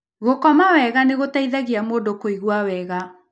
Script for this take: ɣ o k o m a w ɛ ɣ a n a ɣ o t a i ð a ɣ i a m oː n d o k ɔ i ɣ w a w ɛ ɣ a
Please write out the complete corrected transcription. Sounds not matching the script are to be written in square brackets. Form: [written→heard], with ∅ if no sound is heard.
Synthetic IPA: ɣ o k [o→ɔ] m a w ɛ ɣ a n [a→e] ɣ o t a i ð a ɣ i a m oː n d o k [ɔ→o] i ɣ w a w ɛ ɣ a